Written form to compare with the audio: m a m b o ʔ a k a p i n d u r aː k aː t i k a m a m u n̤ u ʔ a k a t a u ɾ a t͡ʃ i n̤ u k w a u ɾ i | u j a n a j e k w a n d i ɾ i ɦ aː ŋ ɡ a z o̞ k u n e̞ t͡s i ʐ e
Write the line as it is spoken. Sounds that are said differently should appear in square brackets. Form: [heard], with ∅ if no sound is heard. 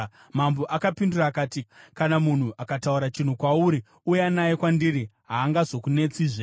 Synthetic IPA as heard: m a m b o ʔ a k a p i n d u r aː k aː t i k a [n] a m u n̤ u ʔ a k a t a u ɾ a t͡ʃ i n̤ u k w a u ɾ i | u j a n a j e k w a n d i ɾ i ɦ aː ŋ ɡ a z o̞ k u n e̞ t͡s i ʐ e